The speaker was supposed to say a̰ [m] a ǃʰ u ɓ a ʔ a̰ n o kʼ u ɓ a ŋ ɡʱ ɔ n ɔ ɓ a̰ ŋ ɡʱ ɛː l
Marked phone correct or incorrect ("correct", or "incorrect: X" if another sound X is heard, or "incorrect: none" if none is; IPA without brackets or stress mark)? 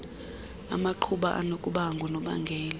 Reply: correct